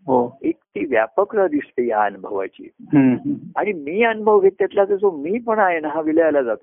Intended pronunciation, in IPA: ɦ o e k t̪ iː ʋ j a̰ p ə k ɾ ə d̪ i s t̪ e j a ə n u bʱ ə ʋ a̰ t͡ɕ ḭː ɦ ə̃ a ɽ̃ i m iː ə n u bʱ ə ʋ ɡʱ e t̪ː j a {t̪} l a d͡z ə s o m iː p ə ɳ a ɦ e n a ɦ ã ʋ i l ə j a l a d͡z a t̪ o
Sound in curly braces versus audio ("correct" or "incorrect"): correct